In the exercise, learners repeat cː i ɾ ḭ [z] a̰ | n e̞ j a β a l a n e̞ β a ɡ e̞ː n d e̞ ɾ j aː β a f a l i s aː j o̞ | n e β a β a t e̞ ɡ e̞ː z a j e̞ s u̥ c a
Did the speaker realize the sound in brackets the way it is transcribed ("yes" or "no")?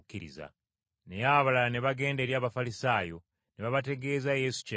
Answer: yes